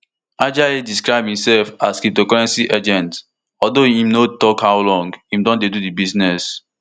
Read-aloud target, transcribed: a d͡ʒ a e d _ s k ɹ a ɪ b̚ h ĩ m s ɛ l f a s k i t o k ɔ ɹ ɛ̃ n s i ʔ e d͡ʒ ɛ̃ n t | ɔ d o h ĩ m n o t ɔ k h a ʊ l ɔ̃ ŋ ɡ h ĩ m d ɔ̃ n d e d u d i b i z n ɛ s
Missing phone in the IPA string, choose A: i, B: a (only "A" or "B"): A